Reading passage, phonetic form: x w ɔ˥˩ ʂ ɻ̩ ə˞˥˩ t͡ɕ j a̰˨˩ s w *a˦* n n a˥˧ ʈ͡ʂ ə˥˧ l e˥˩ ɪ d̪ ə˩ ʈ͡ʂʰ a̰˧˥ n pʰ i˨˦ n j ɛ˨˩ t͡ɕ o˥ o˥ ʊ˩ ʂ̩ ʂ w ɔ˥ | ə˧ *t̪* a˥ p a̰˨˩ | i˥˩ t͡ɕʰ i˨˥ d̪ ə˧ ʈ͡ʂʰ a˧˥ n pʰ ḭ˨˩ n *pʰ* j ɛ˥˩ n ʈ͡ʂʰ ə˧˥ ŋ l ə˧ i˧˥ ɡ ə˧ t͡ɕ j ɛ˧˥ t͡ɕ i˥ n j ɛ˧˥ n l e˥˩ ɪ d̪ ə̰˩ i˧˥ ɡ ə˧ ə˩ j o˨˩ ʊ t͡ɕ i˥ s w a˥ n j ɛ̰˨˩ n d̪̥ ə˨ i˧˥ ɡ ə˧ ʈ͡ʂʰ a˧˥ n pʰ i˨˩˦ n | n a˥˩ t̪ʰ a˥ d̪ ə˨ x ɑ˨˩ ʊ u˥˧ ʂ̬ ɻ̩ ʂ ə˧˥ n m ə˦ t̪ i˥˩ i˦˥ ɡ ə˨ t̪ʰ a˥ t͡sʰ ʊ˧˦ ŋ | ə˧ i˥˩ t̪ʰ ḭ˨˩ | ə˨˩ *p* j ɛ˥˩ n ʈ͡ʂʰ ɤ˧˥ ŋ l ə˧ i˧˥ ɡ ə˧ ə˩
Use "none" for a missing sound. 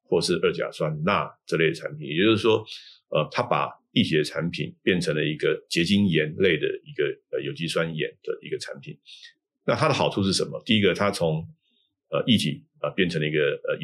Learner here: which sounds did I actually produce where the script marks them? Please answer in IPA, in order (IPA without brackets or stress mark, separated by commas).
a˦, t̪ʰ, p, p